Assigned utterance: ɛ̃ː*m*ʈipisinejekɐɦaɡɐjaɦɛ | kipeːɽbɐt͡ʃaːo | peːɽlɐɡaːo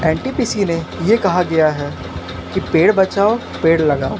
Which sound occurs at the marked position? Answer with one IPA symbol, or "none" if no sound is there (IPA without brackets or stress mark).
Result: ɳ